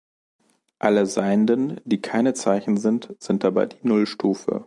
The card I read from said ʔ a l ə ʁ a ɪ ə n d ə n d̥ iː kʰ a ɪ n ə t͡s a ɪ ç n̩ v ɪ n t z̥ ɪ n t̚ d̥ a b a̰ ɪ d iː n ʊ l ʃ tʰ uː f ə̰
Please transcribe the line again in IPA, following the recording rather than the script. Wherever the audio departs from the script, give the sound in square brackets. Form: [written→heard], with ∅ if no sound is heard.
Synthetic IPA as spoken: ʔ a l ə [ʁ→z] a ɪ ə n d ə n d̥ iː kʰ a ɪ n ə t͡s a ɪ ç n̩ [v→z] ɪ n t z̥ ɪ n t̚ d̥ a b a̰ ɪ d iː n ʊ l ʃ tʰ uː f ə̰